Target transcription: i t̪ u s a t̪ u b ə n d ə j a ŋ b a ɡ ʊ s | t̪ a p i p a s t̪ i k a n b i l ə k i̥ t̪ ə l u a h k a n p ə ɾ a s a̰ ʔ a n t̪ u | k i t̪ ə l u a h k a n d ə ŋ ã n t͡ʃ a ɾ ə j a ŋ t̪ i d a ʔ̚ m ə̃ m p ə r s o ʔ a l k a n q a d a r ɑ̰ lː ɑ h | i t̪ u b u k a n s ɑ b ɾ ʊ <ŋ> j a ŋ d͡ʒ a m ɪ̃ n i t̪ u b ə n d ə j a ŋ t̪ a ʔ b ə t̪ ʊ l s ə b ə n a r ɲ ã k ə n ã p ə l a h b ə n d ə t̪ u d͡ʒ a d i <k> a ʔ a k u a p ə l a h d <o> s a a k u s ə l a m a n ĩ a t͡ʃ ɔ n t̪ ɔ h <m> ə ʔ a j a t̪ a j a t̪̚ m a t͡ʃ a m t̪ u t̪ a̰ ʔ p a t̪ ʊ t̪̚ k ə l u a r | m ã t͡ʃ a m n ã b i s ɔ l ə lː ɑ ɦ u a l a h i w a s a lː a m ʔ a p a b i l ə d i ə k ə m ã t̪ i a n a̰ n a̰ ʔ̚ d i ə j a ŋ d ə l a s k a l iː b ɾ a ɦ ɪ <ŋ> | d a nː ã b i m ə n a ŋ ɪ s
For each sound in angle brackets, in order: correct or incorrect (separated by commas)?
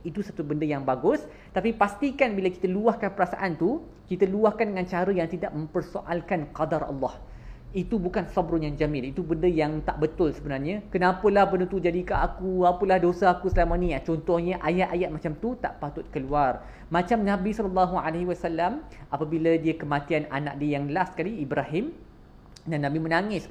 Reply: incorrect, correct, correct, incorrect, incorrect